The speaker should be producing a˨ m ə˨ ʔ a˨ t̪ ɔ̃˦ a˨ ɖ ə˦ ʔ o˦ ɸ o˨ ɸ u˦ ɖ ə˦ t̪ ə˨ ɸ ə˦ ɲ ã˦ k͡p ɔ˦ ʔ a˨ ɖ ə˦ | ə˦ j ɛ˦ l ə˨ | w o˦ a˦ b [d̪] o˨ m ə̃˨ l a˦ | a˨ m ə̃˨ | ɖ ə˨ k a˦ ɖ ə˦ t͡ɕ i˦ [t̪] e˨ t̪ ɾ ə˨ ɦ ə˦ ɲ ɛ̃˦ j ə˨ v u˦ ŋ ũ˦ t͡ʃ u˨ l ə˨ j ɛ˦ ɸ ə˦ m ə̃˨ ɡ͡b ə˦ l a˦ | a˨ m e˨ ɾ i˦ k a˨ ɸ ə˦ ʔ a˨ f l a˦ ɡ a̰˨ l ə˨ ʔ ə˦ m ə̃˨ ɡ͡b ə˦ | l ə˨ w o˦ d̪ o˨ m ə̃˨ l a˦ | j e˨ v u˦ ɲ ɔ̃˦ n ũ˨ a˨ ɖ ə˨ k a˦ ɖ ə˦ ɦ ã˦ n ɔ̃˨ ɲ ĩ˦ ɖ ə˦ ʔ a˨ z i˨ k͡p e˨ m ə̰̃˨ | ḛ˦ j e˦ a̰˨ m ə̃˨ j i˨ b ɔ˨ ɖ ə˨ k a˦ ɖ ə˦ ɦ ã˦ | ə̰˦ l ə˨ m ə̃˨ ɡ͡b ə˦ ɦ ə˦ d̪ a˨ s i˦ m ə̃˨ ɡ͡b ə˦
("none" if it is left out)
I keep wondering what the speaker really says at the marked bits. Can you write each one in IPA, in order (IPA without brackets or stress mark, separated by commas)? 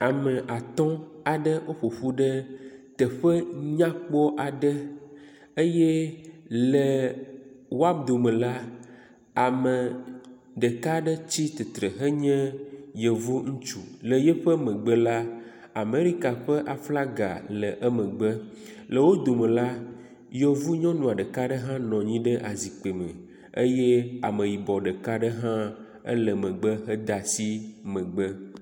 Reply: d̪, t̪